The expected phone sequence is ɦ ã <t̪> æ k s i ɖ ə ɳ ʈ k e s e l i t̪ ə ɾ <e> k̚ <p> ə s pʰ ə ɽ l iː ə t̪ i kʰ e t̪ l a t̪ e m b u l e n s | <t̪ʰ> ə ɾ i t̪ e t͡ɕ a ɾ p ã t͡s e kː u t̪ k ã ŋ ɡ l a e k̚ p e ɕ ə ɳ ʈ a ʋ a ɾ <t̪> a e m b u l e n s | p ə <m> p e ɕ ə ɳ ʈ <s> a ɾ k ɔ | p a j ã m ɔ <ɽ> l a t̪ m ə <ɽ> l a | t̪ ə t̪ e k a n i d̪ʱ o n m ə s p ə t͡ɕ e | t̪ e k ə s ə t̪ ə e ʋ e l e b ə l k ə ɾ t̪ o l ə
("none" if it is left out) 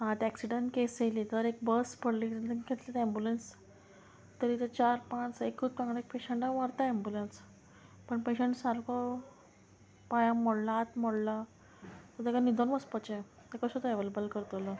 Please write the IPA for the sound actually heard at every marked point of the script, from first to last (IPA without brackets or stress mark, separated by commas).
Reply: t̪, e, b, t̪, t̪, ɳ, s, ɽ, ɽ